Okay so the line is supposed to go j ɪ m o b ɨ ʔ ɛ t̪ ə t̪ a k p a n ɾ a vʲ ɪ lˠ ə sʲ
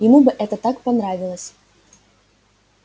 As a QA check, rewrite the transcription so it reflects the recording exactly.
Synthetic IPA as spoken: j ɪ m u b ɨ ʔ ɛ t̪ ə t̪ a k p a n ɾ a vʲ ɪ lˠ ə sʲ